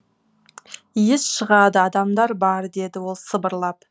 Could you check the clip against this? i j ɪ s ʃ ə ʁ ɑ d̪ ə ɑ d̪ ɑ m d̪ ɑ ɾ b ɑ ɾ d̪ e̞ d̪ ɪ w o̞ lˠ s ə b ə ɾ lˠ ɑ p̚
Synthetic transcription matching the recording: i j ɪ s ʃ ə ʁ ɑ d̪ ə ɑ d̪ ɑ m d̪ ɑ ɾ b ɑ ɾ d̪ e̞ d̪ ɪ w o̞ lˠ s ə b ə ɾ lˠ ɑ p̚